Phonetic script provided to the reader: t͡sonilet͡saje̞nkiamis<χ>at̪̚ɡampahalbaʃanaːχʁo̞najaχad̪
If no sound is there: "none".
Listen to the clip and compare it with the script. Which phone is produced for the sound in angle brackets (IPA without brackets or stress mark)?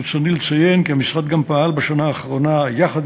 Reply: ʁ